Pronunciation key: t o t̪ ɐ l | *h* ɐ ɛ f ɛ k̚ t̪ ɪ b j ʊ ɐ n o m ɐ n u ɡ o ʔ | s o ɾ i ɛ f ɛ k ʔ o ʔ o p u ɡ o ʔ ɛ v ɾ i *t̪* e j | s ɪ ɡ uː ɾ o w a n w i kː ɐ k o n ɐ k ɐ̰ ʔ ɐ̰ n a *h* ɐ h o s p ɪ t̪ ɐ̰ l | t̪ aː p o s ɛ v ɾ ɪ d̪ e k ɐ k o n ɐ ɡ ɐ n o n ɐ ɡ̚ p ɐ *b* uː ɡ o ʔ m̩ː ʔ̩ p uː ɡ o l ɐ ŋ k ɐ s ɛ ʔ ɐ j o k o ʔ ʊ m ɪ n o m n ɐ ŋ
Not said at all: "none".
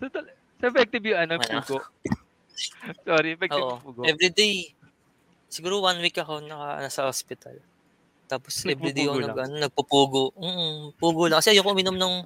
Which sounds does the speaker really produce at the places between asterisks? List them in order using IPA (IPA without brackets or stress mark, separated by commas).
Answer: s, d̪, s, p